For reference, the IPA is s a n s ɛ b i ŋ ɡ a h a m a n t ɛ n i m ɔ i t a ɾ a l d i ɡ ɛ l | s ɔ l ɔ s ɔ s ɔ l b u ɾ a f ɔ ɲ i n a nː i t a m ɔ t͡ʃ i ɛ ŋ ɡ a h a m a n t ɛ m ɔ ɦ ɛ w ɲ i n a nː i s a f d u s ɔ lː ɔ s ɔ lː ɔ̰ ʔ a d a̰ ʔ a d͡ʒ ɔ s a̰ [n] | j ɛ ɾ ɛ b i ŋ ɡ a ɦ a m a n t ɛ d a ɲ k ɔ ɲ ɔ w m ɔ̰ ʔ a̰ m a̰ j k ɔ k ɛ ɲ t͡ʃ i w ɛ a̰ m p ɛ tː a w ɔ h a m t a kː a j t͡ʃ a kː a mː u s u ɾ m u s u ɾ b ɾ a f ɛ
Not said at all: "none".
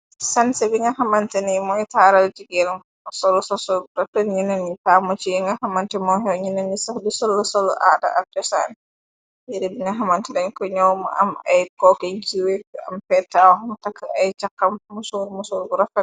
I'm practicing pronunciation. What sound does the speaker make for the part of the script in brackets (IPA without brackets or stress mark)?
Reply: n